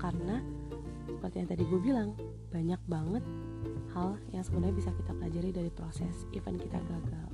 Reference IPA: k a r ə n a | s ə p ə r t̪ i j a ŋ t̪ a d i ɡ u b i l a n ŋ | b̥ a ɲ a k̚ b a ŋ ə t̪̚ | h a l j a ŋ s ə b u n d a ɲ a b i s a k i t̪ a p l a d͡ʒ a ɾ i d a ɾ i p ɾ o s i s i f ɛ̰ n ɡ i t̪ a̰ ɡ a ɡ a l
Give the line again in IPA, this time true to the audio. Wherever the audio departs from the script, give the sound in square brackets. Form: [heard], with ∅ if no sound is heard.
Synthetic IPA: k a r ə n a | s ə p ə r t̪ i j a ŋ t̪ a d i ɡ u b i l a [∅] ŋ | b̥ a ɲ a k̚ b a ŋ ə t̪̚ | h a l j a ŋ s ə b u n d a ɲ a b i s a k i t̪ a p l a d͡ʒ a ɾ i d a ɾ i p ɾ o s [ɛ] s i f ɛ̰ n [k] i t̪ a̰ ɡ a ɡ a l